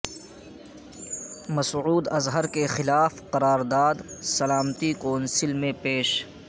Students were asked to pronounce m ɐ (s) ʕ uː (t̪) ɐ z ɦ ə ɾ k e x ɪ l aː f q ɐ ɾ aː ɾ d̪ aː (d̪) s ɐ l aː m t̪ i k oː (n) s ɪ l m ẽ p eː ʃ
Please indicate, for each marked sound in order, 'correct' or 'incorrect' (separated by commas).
correct, incorrect, correct, correct